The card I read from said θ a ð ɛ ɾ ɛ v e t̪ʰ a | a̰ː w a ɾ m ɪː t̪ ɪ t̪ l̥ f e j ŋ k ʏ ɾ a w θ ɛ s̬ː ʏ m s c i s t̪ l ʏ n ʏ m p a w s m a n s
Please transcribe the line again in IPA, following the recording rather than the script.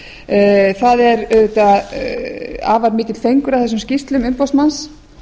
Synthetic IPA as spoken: θ a ð ɛ ɾ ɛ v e t̪ a | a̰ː v a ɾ m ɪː t̪ ɪ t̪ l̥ f e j ŋ k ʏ ɾ a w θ ɛ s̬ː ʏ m s c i s t̪ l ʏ m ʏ m p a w s m a n s